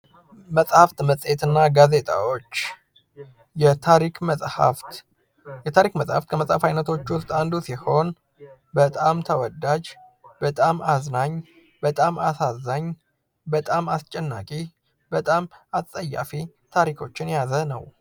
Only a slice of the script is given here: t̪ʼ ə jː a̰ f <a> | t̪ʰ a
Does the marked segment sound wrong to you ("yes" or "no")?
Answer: yes